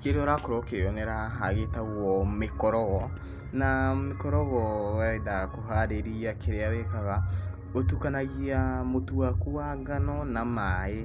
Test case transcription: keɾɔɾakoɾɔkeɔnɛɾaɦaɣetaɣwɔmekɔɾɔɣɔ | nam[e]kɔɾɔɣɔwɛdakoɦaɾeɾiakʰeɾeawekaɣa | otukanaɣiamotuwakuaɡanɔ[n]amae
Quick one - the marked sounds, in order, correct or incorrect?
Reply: correct, correct

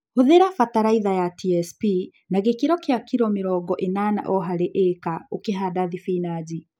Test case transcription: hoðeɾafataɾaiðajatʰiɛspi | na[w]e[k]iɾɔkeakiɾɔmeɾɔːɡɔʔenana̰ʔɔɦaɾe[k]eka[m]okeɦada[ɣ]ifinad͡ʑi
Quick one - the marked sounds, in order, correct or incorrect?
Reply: incorrect: ɣ, correct, incorrect: ʔ, incorrect: none, incorrect: ð

